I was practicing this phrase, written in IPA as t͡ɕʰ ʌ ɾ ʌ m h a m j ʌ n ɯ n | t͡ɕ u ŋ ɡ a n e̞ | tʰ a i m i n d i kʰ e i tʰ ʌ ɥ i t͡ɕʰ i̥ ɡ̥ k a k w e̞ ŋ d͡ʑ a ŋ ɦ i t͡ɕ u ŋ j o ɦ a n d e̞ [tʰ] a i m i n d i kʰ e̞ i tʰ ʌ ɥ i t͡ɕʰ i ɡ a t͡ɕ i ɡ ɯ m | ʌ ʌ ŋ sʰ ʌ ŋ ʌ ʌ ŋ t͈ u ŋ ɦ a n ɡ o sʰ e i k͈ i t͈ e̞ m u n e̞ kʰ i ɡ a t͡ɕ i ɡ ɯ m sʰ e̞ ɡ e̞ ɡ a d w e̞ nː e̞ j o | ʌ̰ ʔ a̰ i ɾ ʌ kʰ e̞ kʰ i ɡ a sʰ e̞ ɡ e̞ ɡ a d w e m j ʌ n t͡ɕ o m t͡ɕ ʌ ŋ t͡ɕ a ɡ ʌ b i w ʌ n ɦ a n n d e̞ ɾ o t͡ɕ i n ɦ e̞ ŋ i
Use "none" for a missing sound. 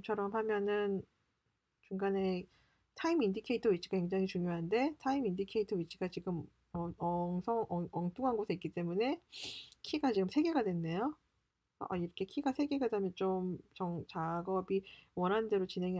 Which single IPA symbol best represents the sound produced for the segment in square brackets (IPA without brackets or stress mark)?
tʰ